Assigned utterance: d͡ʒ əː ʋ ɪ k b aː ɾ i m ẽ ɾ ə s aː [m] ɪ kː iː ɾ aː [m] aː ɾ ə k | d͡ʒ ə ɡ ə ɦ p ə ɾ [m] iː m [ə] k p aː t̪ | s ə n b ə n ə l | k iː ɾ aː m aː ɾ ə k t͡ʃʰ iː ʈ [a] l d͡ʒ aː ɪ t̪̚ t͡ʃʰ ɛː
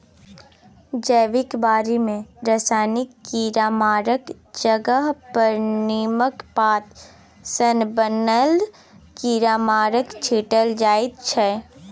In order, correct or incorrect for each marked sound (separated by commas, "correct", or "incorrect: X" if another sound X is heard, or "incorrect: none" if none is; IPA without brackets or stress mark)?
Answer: incorrect: n, correct, incorrect: n, correct, incorrect: ə